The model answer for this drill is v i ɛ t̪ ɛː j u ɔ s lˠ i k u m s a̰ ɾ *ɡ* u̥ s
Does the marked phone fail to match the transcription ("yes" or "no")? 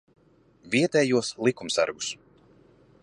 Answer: no